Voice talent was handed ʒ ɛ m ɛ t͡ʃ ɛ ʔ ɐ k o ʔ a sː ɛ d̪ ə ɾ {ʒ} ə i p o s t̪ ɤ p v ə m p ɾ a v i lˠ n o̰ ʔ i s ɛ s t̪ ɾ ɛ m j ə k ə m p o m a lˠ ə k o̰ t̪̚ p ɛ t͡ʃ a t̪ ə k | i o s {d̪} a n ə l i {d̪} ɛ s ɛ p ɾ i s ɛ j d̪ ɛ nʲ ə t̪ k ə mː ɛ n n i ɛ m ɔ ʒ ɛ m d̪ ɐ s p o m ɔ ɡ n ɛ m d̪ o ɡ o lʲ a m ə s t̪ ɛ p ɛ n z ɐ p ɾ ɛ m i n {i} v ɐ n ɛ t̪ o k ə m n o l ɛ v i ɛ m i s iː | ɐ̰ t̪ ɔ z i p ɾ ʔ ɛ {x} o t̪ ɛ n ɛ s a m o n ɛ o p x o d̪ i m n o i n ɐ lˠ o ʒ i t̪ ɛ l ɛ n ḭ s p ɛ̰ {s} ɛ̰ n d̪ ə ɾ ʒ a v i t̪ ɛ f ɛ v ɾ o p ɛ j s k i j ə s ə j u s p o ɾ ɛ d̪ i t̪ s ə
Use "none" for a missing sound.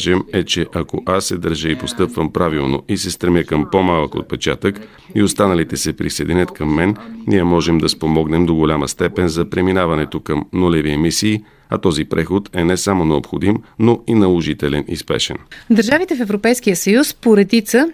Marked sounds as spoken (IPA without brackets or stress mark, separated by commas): ʒ, t̪, t̪, a, x, ʃ